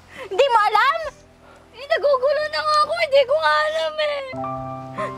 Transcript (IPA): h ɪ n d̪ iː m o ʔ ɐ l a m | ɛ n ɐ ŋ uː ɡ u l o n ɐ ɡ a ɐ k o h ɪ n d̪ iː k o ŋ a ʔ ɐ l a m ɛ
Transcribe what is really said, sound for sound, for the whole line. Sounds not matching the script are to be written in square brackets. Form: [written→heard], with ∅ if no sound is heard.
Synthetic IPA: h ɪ n d̪ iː m o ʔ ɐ l a m | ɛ n ɐ [ŋ→ɡ] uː ɡ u l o n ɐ [ɡ→ŋ] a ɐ k o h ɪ n d̪ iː k o ŋ a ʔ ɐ l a m ɛ